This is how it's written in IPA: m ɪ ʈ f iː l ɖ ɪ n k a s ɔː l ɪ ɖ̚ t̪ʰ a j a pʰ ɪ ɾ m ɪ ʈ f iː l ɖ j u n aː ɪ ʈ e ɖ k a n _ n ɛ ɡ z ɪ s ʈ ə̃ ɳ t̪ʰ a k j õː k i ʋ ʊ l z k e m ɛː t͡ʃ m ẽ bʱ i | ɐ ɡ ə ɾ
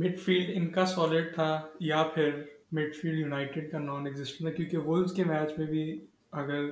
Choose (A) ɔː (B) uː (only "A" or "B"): A